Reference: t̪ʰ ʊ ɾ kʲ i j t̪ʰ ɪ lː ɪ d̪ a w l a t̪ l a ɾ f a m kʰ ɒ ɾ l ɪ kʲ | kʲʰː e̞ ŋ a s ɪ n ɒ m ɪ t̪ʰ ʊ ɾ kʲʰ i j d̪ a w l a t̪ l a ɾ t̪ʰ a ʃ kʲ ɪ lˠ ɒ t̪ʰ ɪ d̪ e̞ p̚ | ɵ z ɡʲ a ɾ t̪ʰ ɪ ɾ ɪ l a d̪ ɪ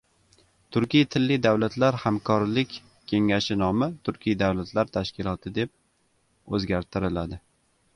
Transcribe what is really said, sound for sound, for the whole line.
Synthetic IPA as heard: t̪ʰ ʊ ɾ kʲ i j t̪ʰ ɪ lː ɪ d̪ a w l a t̪ l a ɾ h a m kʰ ɒ ɾ l ɪ kʲ | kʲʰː e̞ ŋ a ʃ ɪ n ɒ m ɪ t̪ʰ ʊ ɾ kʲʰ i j d̪ a w l a t̪ l a ɾ t̪ʰ a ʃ kʲ ɪ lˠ ɒ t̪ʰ ɪ d̪ e̞ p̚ | ɵ z ɡʲ a ɾ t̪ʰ ɪ ɾ ɪ l a d̪ ɪ